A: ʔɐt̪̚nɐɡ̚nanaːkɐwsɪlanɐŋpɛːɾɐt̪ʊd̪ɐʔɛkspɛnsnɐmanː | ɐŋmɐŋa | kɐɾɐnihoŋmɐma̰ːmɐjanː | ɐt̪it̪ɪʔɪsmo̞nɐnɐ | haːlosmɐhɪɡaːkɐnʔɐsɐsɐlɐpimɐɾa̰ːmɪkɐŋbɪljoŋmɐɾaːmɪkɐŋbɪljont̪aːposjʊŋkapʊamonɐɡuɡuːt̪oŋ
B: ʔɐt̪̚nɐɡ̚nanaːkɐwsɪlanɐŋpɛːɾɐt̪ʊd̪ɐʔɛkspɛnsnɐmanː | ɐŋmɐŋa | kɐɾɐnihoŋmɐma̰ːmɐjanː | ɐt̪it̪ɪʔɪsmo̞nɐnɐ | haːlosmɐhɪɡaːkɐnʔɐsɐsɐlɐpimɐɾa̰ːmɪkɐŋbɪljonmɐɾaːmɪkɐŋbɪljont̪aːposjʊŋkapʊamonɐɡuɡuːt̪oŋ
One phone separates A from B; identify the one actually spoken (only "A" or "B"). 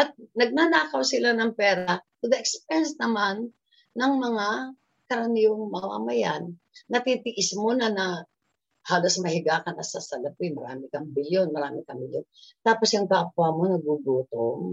B